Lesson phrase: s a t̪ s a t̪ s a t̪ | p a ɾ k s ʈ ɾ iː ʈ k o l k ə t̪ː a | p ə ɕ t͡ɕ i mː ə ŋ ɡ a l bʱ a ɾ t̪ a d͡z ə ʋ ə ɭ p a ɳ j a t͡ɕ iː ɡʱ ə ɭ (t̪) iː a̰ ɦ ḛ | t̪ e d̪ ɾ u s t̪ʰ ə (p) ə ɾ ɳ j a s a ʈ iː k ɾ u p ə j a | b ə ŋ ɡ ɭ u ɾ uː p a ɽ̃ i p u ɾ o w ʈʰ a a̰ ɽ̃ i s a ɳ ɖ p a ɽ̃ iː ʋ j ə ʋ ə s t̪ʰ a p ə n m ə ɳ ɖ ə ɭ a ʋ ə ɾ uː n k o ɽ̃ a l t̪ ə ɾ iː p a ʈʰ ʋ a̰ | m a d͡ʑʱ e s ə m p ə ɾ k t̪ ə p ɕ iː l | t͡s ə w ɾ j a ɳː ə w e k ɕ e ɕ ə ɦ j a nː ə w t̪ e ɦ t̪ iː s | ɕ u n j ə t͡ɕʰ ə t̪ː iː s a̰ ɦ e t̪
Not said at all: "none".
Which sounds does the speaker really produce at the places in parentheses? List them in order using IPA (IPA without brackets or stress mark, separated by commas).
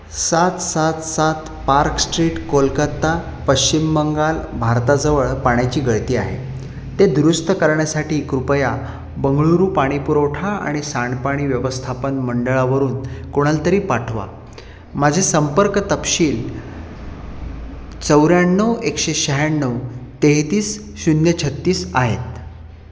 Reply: t̪, k